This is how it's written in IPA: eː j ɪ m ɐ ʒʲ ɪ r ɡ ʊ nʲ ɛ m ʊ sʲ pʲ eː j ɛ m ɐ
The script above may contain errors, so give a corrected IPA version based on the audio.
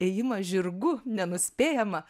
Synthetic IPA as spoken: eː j ɪ m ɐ ʒʲ ɪ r ɡ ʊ nʲ ɛ n ʊ sʲ pʲ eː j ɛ m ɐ

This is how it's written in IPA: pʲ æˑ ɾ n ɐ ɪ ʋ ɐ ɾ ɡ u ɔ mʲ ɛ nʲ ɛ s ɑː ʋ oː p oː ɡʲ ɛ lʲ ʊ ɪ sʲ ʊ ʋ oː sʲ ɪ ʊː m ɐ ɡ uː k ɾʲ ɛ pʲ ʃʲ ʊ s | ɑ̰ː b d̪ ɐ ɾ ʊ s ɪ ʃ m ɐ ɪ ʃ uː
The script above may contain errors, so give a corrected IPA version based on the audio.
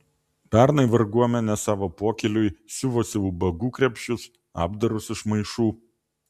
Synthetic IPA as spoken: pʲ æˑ ɾ n ɐ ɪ ʋ ɐ ɾ ɡ u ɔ mʲ ɛ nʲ ɛ s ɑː ʋ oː p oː kʲ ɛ lʲ ʊ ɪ sʲ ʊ ʋ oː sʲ ɪ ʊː b ɐ ɡ uː k ɾʲ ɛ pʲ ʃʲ ʊ s | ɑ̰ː b d̪ ɐ ɾ ʊ s ɪ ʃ m ɐ ɪ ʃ uː

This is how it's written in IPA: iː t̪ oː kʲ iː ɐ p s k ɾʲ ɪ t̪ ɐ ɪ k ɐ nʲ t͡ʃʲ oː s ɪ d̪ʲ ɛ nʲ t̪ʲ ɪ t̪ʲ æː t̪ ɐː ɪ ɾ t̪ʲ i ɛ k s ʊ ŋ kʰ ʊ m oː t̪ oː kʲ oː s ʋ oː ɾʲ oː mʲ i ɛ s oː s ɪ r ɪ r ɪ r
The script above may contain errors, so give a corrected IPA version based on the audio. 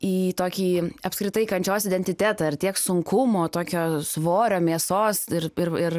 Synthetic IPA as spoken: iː t̪ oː kʲ iː ɐ p s k ɾʲ ɪ t̪ ɐ ɪ k ɐ nʲ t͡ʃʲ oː s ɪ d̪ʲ ɛ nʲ t̪ʲ ɪ t̪ʲ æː t̪ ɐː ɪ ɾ t̪ʲ i ɛ k s ʊ ŋ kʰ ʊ m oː t̪ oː kʲ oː s ʋ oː ɾʲ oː mʲ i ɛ s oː s ɪ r ɪ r ɪ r

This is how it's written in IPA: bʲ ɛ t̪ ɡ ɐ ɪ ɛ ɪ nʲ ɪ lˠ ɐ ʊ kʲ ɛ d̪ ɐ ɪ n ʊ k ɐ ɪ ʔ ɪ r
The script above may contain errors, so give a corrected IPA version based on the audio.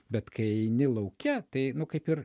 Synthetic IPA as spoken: bʲ ɛ t̪ k ɐ ɪ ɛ ɪ nʲ ɪ lˠ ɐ ʊ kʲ ɛ t̪ ɐ ɪ n ʊ k ɐ ɪ p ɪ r

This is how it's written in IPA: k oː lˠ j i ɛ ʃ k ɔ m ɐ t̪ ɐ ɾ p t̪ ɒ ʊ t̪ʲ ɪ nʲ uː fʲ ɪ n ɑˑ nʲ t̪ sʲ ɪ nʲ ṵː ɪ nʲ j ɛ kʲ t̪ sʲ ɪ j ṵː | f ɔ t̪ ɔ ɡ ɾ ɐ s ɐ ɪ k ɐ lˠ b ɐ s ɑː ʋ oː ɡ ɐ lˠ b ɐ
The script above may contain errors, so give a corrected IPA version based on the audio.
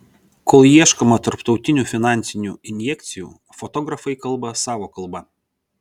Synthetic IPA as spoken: k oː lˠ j i ɛ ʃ k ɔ m ɐ t̪ ɐ ɾ p t̪ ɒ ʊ t̪ʲ ɪ nʲ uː fʲ ɪ n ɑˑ nʲ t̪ sʲ ɪ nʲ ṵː ɪ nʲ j ɛ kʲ t̪ sʲ ɪ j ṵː | f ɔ t̪ ɔ ɡ ɾ ɐ f ɐ ɪ k ɐ lˠ b ɐ s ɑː ʋ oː k ɐ lˠ b ɐ

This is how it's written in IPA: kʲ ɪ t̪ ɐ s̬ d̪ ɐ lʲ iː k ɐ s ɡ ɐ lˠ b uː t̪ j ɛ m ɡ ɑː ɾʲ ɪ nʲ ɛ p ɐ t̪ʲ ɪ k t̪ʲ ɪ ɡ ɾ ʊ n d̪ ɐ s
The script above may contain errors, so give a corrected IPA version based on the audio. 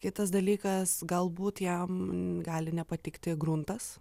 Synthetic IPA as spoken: kʲ ɪ t̪ ɐ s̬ d̪ ɐ lʲ iː k ɐ s ɡ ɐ lˠ b uː t̪ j ɛ m ɡ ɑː lʲ ɪ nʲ ɛ p ɐ t̪ʲ ɪ k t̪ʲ ɪ ɡ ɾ ʊ n t̪ ɐ s

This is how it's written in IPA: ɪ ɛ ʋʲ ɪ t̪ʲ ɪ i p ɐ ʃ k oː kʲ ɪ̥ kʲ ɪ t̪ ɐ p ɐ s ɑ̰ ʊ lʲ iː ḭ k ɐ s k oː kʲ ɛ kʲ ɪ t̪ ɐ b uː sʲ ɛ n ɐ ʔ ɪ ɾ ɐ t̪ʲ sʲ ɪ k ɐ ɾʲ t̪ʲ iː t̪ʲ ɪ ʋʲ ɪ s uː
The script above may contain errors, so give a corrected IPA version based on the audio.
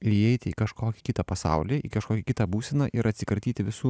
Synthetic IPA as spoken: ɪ ɛ ɪ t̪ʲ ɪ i k ɐ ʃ k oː kʲ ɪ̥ kʲ ɪ t̪ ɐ p ɐ s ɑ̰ ʊ lʲ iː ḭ k ɐ ʃ k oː kʲ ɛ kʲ ɪ t̪ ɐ b uː sʲ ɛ n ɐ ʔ ɪ ɾ ɐ t̪ʲ sʲ ɪ k ɐ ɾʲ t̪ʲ iː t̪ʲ ɪ ʋʲ ɪ s uː

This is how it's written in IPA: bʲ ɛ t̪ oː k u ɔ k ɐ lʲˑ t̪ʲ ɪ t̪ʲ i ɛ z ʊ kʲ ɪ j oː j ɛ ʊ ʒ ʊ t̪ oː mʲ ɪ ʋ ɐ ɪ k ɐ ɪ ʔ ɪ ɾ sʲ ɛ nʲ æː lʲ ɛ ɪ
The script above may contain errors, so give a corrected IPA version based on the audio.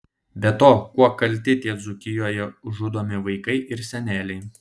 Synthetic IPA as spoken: bʲ ɛ t̪ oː k u ɔ k ɐ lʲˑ t̪ʲ ɪ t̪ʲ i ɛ z ʊ kʲ ɪ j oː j ɛ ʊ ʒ ʊ d̪ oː mʲ ɪ ʋ ɐ ɪ k ɐ ɪ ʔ ɪ ɾ sʲ ɛ nʲ æː lʲ ɛ ɪ

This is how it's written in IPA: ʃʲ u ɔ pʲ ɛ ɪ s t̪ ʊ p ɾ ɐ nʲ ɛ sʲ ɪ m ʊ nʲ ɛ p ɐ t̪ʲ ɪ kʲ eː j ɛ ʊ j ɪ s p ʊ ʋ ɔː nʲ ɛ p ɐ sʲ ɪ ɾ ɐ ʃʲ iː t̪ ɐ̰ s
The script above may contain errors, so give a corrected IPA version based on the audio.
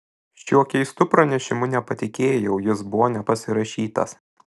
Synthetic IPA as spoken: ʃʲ u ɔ kʲ ɛ ɪ s t̪ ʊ p ɾ ɐ nʲ ɛ ʃʲ ɪ m ʊ nʲ ɛ p ɐ t̪ʲ ɪ kʲ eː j ɛ ʊ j ɪ s b ʊ ʋ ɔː nʲ ɛ p ɐ sʲ ɪ ɾ ɐ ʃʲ iː t̪ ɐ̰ s

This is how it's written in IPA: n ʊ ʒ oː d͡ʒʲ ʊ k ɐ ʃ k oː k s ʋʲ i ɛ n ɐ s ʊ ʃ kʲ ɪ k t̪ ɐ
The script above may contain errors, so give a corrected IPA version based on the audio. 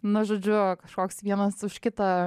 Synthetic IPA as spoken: n ʊ ʒ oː d͡ʒʲ ʊ k ɐ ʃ k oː k s ʋʲ i ɛ n ɐ s ʊ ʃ kʲ ɪ t̪ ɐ

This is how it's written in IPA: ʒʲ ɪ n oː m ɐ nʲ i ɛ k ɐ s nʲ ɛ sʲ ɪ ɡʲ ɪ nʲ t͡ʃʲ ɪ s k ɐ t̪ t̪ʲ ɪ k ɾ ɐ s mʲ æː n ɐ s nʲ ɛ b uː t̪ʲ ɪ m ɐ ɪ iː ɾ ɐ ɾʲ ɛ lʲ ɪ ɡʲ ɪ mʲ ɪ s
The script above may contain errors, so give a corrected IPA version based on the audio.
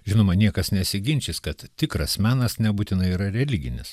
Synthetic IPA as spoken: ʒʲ ɪ n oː m ɐ nʲ i ɛ k ɐ s nʲ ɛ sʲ ɪ ɡʲ ɪ nʲ t͡ʃʲ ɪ s k ɐ t̪ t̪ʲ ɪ k ɾ ɐ s mʲ æː n ɐ s nʲ ɛ b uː t̪ʲ ɪ n ɐ ɪ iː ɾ ɐ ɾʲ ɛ lʲ ɪ ɡʲ ɪ nʲ ɪ s

